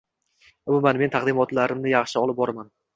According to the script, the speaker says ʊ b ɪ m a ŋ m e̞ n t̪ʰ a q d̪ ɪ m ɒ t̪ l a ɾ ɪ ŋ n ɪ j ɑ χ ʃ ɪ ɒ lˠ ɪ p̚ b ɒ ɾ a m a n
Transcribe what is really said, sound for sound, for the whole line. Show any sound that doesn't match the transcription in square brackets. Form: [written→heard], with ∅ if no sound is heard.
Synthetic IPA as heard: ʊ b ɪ m a [ŋ→n] m e̞ n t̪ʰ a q d̪ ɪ m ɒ t̪ l a ɾ ɪ [ŋ→m] n ɪ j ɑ χ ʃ ɪ ɒ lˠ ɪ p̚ b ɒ ɾ a m a n